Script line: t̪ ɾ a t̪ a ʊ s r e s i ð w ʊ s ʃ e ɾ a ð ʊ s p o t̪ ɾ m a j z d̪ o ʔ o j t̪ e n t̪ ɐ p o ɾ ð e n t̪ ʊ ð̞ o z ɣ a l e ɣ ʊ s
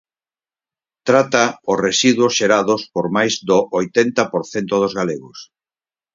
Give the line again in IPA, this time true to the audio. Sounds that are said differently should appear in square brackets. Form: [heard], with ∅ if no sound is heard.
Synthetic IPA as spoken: t̪ ɾ a t̪ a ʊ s r e s i ð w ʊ s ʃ e ɾ a ð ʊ s p o [∅] ɾ m a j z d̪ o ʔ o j t̪ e n t̪ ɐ p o ɾ [θ] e n t̪ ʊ ð̞ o z ɣ a l e ɣ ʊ s